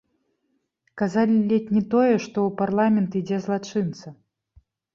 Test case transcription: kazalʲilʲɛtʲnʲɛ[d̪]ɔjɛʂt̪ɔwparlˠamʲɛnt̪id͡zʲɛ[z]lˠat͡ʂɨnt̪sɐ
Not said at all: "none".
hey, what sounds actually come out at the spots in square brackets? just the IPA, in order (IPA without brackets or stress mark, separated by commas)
t̪, z